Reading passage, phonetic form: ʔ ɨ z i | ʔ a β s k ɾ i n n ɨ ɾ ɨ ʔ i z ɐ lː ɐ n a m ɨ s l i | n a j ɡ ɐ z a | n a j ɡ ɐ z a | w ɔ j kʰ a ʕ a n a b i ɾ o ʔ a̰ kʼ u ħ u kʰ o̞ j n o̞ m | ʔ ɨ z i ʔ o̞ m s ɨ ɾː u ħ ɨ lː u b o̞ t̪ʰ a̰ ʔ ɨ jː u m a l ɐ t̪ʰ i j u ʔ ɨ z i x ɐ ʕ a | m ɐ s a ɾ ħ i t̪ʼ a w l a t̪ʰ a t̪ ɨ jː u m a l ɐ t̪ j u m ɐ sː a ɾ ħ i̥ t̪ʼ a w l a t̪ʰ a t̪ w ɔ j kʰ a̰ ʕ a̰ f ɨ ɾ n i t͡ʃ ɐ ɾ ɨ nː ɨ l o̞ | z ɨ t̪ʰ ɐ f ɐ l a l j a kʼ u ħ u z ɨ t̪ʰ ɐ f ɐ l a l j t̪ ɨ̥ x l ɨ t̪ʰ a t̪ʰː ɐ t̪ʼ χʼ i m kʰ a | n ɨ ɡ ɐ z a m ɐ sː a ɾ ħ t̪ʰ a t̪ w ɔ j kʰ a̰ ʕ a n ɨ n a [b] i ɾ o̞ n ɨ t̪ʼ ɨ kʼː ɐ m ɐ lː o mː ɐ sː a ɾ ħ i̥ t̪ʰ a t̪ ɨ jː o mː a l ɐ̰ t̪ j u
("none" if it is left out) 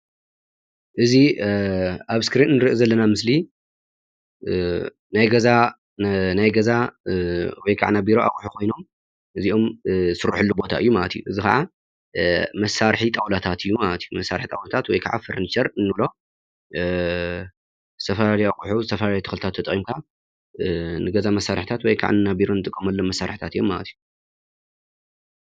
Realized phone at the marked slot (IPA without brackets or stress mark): b